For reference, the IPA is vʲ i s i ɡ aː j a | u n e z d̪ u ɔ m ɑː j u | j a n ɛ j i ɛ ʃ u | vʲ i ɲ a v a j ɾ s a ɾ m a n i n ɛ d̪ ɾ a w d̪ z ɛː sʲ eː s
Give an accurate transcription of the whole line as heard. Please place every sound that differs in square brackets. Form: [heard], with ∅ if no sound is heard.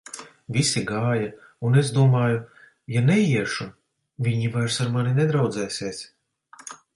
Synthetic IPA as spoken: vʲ i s i ɡ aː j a | u n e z d̪ u ɔ m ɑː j u | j a n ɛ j i ɛ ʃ u | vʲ i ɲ [i] v a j ɾ s a ɾ m a n i n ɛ d̪ ɾ a w d̪ z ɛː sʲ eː s